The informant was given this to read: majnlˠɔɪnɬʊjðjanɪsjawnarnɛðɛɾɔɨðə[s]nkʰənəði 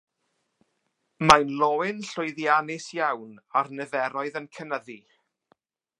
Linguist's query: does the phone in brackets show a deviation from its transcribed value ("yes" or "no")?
yes